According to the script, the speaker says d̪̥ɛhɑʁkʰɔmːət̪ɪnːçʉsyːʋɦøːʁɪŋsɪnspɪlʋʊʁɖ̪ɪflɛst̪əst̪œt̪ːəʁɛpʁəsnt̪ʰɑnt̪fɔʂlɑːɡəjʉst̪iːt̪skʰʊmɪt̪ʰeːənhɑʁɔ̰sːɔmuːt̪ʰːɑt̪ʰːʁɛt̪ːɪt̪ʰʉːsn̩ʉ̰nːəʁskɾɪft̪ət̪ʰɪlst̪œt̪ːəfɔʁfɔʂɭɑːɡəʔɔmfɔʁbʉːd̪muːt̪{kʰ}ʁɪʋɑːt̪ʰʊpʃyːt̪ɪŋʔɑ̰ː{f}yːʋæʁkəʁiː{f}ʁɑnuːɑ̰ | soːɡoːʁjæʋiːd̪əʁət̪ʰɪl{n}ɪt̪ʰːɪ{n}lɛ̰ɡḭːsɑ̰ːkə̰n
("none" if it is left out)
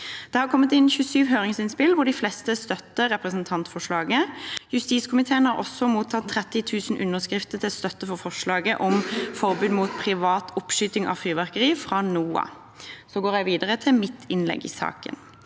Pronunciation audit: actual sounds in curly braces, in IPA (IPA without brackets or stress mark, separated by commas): pʰ, f, f, m, n